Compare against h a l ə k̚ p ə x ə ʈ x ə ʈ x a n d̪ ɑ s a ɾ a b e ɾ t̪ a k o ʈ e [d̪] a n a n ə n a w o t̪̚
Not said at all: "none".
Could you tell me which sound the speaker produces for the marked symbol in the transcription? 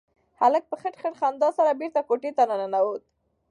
t̪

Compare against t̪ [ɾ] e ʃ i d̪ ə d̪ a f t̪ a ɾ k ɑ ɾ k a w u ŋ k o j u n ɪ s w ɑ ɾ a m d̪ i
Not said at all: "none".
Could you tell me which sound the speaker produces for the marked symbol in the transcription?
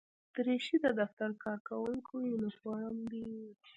ɾ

